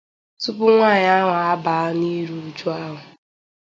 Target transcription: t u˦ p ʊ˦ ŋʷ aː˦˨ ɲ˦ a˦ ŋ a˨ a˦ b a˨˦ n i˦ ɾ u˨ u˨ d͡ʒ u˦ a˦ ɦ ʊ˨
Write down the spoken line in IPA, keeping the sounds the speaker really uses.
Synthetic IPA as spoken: t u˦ p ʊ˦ ŋʷ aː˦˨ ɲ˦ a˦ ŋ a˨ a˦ b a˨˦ n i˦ ɾ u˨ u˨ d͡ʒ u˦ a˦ ɦ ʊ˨